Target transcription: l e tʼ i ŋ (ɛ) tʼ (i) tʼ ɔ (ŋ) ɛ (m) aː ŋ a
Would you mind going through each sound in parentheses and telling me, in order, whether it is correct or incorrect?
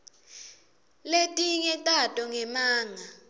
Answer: correct, incorrect, correct, correct

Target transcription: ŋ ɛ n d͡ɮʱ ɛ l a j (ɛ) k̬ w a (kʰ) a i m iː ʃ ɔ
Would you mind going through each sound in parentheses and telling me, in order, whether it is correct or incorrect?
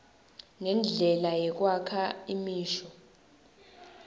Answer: correct, correct

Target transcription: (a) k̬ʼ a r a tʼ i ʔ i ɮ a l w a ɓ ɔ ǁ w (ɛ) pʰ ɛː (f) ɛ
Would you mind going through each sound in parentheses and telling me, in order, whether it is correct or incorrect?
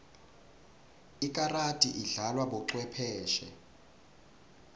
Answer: incorrect, correct, incorrect

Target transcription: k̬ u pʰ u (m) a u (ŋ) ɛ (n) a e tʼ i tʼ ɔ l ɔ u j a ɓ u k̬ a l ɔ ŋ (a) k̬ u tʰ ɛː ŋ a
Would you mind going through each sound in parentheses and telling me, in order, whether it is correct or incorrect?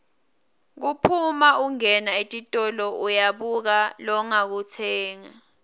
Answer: correct, correct, correct, correct

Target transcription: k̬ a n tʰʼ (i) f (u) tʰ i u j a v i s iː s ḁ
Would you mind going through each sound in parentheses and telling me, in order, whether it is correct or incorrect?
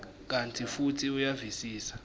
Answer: correct, correct

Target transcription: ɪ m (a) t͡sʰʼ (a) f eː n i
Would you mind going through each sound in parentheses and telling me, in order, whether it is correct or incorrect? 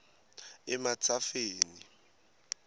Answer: correct, correct

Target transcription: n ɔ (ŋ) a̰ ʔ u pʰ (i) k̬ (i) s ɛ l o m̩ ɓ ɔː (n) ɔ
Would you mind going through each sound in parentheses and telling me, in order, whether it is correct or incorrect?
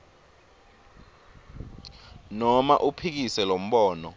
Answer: incorrect, correct, correct, correct

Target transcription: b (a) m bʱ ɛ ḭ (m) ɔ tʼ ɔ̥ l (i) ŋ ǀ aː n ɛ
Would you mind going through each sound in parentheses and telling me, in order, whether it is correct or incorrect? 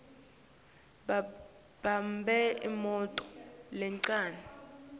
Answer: correct, correct, incorrect

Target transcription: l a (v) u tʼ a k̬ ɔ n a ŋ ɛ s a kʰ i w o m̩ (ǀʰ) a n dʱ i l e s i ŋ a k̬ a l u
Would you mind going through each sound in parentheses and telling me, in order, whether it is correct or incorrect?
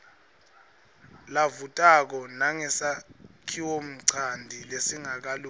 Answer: correct, correct

